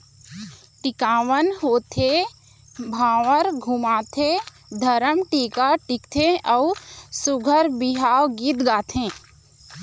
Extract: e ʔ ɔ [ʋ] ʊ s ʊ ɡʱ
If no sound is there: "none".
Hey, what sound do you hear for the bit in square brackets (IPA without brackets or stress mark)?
none